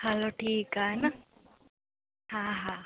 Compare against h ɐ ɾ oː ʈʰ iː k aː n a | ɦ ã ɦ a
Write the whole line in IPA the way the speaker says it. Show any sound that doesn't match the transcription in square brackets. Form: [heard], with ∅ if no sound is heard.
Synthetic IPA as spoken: h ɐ [l] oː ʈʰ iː k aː n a | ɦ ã ɦ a